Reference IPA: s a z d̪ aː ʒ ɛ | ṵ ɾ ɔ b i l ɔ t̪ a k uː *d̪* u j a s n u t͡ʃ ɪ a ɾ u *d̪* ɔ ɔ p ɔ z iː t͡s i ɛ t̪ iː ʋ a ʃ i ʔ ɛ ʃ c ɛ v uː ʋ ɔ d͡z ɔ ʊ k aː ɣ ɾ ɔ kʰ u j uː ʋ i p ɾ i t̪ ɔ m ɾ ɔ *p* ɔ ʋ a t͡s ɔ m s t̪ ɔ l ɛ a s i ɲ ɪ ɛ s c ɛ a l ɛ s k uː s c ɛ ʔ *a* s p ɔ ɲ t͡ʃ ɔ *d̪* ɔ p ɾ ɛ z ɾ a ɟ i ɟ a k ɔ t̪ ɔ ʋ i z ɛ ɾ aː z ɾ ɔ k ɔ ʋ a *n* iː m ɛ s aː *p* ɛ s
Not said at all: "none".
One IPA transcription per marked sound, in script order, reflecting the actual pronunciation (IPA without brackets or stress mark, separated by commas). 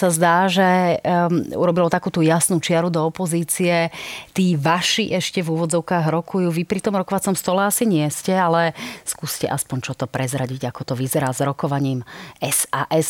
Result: t̪, d̪, k, a, t̪, ɲ, ʔ